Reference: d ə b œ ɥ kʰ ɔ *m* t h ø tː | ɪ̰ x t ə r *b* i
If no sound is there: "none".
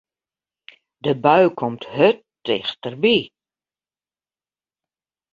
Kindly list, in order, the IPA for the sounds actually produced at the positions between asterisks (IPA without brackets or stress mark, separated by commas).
m, b